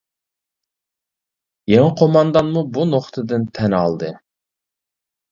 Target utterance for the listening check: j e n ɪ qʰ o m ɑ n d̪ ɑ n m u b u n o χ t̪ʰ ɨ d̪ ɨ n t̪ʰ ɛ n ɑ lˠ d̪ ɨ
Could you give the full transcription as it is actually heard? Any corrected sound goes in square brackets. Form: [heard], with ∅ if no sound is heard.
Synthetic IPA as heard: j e [ŋ] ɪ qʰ o m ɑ n d̪ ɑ n m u b u n o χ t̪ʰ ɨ d̪ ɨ n t̪ʰ ɛ n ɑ lˠ d̪ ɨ